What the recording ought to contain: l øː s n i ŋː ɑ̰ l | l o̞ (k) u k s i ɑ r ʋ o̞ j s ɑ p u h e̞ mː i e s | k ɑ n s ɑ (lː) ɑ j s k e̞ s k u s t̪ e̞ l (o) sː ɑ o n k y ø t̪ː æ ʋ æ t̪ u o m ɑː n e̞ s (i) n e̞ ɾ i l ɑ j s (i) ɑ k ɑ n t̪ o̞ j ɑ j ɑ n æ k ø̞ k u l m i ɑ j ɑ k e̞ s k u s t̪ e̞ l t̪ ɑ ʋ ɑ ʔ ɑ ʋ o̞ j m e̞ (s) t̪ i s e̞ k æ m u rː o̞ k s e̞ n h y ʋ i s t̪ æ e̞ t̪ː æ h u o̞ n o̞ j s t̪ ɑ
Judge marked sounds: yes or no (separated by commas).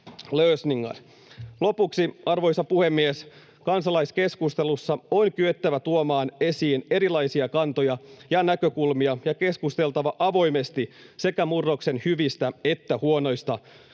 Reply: no, no, no, no, yes, yes